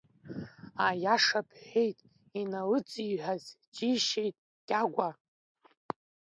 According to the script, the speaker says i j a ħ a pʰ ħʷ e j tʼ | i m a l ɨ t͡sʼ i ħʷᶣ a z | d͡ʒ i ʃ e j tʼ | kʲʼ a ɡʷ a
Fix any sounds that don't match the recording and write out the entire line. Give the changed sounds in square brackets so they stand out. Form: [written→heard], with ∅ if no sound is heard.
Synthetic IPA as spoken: [i→a] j a [ħ→ʂ] a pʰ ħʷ e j tʼ | i [m→n] a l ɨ t͡sʼ i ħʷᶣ a z | d͡ʒ i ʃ e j tʼ | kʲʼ a ɡʷ a